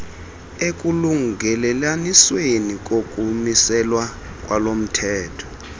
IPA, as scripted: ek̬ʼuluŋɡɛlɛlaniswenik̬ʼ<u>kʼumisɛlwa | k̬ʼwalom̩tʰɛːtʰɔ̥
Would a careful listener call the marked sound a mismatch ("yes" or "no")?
yes